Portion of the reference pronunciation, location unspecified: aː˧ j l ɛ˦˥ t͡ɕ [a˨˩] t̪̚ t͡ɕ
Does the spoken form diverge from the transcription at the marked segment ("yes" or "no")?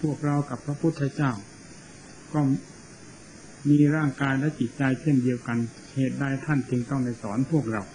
yes